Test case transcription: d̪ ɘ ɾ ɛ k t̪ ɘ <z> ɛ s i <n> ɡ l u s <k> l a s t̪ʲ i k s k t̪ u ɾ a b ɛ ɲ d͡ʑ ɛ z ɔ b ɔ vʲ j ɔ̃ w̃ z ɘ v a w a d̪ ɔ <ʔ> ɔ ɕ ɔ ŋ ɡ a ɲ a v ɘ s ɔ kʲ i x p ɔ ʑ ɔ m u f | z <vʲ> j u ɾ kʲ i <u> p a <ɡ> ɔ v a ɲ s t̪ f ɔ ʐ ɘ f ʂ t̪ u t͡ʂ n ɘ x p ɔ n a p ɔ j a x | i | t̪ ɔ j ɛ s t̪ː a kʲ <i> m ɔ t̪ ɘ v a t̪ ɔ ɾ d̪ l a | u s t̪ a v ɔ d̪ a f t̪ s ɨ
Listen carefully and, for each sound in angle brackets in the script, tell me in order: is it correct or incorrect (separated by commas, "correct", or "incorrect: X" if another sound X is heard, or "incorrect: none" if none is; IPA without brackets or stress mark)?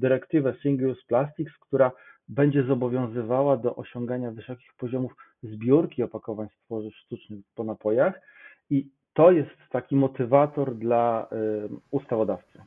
incorrect: v, incorrect: ŋ, incorrect: p, correct, incorrect: bʲ, incorrect: ɔ, incorrect: k, correct